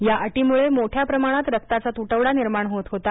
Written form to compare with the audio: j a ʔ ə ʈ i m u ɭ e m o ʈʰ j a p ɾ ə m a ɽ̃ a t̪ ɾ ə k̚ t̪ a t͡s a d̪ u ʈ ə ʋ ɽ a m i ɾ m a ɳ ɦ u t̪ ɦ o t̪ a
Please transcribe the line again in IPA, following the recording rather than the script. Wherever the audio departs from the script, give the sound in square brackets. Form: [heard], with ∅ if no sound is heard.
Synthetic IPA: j a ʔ ə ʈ i m u ɭ e m o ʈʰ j a p ɾ ə m a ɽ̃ a t̪ ɾ ə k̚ t̪ a t͡s a [t̪] u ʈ ə ʋ ɽ a [n] i ɾ m a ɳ ɦ [o] t̪ ɦ o t̪ a